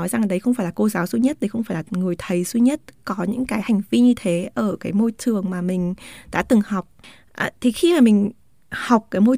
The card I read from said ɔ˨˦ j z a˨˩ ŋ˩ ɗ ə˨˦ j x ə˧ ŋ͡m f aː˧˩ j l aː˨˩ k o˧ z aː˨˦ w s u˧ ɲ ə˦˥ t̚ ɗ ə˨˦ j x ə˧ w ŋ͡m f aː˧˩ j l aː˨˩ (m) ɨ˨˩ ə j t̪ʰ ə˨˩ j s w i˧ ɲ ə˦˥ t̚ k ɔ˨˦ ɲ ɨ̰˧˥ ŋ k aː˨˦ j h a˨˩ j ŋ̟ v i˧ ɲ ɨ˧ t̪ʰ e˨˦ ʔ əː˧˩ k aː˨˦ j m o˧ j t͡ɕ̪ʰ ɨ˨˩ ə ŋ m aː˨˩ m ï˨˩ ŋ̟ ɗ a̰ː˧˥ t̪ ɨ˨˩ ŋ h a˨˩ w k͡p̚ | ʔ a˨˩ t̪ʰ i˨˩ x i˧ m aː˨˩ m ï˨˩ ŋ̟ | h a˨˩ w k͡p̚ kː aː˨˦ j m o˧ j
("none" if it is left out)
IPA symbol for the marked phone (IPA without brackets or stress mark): ŋ